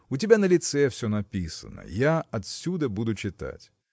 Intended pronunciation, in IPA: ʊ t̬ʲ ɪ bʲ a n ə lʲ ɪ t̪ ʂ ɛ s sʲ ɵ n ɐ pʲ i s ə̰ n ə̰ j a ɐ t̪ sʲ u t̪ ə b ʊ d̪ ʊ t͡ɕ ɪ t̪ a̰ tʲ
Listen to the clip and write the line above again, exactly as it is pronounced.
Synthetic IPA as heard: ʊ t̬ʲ ɪ bʲ a n ə lʲ ɪ t̪ s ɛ f sʲ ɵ n ɐ pʲ i s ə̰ n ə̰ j a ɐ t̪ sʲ u d̪ ə b u d̪ ʊ t͡ɕ ɪ t̪ a̰ tʲ

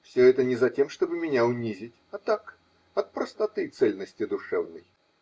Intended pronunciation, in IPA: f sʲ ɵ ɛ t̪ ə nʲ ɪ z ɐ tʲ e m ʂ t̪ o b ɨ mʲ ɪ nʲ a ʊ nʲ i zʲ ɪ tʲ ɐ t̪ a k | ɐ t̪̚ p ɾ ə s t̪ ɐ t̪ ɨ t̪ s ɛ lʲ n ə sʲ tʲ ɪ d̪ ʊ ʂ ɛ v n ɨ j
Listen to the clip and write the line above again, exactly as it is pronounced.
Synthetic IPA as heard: f sʲ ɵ ɛ t̪ ə nʲ ɪ z ɐ tʲ e m ʂ t̪ o b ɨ mʲ ɪ nʲ a ʊ nʲ i zʲ ɪ tʲ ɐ t̪ a k | ɐ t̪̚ p ɾ ə s t̪ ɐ t̪ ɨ t̪ s ɛ lʲ n ə sʲ tʲ ɪ d̪ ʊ ʂ ɛ v n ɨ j

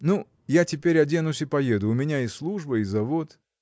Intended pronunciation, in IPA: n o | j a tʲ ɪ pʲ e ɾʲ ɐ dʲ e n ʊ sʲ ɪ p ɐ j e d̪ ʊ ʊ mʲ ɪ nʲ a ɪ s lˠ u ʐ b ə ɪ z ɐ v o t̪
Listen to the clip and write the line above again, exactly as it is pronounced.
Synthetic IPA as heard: n u | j a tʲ ɪ pʲ e ɾʲ ɐ dʲ e n ʊ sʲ ɪ p ɐ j e d̪ ʊ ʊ mʲ ɪ nʲ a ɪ s lˠ u ʐ b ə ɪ z ɐ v o t̪

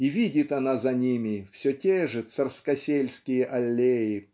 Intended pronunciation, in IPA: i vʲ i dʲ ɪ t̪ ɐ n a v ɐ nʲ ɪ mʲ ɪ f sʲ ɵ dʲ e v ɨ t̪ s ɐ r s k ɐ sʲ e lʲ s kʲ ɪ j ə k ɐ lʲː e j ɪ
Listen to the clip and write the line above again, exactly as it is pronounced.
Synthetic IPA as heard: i vʲ i dʲ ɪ t̪ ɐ n a z ɐ nʲ i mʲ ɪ f sʲ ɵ tʲ e ʐ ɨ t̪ s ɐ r s k ɐ sʲ e lʲ s kʲ ɪ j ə ʔ ɐ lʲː e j ɪ

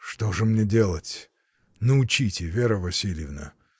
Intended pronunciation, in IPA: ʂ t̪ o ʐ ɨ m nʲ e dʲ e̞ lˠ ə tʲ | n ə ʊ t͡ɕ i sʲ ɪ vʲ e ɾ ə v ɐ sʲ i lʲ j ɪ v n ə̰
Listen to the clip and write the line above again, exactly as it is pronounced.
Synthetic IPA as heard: ʂ t̪ o ʐ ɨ m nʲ e dʲ e̞ lˠ ə tʲ | n ə ʊ t͡ɕ i tʲ ɪ vʲ e ɾ ə v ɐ sʲ i lʲ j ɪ v n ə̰

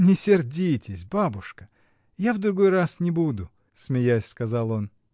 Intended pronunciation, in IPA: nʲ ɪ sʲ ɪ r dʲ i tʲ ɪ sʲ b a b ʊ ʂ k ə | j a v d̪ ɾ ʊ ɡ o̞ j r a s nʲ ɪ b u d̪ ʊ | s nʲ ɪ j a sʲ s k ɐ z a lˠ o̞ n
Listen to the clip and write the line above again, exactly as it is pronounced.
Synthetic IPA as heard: nʲ ɪ sʲ ɪ r dʲ i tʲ ɪ sʲ b a b ʊ ʂ k ə | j a v d̪ ɾ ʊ ɡ o̞ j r a s nʲ ɪ b u d̪ ʊ | s mʲ ɪ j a sʲ s k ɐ z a lˠ o̞ n

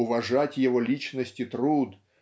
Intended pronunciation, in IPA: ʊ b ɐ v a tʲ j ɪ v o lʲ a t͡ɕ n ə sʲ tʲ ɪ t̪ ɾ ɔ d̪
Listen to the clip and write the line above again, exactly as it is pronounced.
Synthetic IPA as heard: ʊ v ɐ ʐ a tʲ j ɪ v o lʲ i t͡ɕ n ə sʲ tʲ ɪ t̪ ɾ u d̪

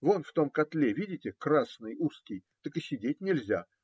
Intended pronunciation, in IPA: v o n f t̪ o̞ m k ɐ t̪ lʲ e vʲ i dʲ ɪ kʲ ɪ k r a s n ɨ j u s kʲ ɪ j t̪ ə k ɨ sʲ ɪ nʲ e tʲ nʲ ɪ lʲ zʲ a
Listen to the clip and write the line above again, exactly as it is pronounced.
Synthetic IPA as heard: v o n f t̪ o̞ m k ɐ t̪ lʲ e vʲ i dʲ ɪ tʲ ɪ k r a s n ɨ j u s kʲ ɪ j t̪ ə k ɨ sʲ ɪ dʲ e tʲ nʲ ɪ lʲ zʲ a

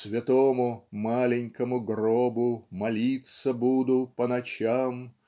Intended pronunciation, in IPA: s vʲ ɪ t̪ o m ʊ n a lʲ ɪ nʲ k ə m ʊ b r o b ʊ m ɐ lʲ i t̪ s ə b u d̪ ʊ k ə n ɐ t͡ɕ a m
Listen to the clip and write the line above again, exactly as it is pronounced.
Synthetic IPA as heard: s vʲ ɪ t̪ o m ʊ m a lʲ ɪ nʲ k ə m ʊ ɡ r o b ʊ m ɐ lʲ i t̪ s ə b u d̪ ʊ p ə n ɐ t͡ɕ a m

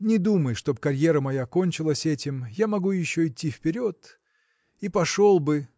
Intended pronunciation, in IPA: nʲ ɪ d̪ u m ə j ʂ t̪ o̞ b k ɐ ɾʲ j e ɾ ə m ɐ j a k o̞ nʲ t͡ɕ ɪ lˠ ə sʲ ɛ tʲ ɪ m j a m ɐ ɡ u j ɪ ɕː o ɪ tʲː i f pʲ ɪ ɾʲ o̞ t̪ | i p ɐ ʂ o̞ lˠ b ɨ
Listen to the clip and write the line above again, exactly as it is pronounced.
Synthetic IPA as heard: nʲ ɪ d̪ u m ə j ʂ t̪ o̞ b k ɐ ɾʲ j e ɾ ə m ɐ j a k o̞ nʲ t͡ɕ ɪ lˠ ə sʲ ɛ tʲ ɪ m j a m ɐ ɡ u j ɪ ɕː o ɪ tʲː i f pʲ ɪ ɾʲ o̞ t̪ | i p ɐ ʂ o̞ lˠ b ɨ

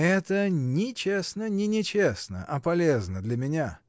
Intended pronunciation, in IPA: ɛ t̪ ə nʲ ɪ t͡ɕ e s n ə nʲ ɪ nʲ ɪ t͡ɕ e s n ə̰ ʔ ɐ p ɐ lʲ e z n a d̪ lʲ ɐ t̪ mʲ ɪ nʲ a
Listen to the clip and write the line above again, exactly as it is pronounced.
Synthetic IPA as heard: ɛ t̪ ə nʲ ɪ t͡ɕ e s n ə nʲ ɪ nʲ ɪ t͡ɕ e s n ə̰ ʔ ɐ p ɐ lʲ e z n ə d̪ lʲ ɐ mʲ ɪ nʲ a

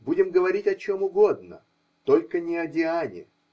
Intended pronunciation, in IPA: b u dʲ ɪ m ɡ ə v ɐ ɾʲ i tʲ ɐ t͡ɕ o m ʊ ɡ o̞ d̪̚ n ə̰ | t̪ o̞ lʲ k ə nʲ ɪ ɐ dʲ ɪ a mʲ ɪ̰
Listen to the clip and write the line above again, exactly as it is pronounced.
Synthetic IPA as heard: b u dʲ ɪ m ɡ ə v ɐ ɾʲ i tʲ ɐ t͡ɕ o m ʊ ɡ o̞ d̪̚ n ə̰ | t̪ o̞ lʲ k ə nʲ ɪ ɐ dʲ ɪ a nʲ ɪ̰

